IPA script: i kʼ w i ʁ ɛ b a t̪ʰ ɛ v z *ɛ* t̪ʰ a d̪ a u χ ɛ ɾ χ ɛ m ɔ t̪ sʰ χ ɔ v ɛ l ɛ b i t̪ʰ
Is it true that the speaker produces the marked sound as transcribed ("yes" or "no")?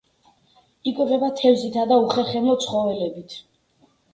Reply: no